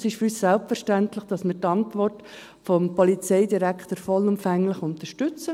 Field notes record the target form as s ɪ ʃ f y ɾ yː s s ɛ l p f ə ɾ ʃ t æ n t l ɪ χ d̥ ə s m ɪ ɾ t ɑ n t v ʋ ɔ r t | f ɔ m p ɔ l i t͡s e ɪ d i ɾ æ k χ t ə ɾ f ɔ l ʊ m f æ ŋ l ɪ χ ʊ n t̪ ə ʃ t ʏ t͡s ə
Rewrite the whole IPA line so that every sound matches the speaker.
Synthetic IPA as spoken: s ɪ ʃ f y ɾ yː s s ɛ l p f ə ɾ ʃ t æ n t l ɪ χ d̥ ɑ s m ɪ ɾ t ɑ n t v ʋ ɔ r t | f ɔ m p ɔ l i t͡s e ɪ d i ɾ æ k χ t ə ɾ f ɔ l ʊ m f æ ŋ l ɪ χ ʊ n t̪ ə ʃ t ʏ t͡s ə